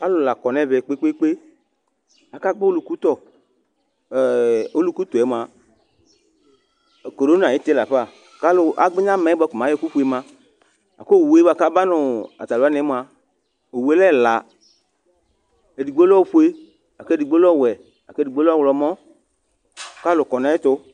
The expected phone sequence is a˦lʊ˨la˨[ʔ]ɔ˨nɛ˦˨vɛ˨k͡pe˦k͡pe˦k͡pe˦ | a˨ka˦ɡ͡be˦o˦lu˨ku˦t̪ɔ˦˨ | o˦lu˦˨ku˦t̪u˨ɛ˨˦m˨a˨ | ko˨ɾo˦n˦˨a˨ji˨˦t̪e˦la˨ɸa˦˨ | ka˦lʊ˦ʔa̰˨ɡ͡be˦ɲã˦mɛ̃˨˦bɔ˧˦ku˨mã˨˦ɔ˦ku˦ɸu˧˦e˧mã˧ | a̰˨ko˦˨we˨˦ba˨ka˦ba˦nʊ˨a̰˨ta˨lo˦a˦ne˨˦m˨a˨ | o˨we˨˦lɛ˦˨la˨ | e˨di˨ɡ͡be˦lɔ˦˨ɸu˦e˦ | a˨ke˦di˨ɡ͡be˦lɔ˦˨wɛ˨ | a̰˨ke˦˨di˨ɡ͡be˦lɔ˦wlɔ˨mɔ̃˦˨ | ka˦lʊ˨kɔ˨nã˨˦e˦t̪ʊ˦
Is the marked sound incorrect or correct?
incorrect